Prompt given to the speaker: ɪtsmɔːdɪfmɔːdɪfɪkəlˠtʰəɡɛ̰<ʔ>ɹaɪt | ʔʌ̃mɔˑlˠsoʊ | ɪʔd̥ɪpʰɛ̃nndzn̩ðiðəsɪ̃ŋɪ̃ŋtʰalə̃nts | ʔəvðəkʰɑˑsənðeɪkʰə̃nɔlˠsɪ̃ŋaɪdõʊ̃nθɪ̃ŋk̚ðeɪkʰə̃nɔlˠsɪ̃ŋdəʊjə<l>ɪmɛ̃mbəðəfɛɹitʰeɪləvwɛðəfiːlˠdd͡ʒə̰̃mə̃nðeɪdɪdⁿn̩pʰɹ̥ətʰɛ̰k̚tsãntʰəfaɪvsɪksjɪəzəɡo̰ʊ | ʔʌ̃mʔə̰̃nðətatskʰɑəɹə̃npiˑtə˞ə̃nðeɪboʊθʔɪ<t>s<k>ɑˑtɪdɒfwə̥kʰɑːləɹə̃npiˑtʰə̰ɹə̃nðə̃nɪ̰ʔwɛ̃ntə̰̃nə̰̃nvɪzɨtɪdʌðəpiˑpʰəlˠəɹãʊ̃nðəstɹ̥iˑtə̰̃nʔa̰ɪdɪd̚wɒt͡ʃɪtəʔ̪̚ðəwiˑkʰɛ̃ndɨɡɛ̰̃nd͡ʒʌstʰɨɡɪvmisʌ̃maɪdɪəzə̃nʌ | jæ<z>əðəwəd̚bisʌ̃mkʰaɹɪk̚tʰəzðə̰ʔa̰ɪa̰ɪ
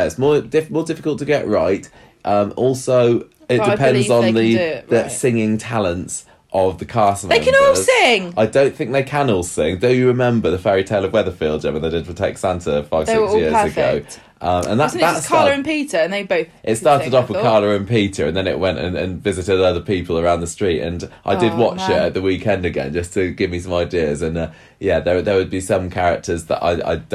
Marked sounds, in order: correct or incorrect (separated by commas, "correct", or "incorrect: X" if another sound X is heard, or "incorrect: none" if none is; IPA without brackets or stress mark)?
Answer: correct, incorrect: ɹ, correct, incorrect: t, incorrect: ð